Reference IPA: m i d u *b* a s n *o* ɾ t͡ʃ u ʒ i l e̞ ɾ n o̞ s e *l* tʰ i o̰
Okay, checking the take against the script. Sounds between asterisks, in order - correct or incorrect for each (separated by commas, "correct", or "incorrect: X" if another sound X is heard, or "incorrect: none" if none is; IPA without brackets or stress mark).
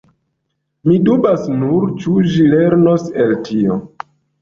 correct, incorrect: u, correct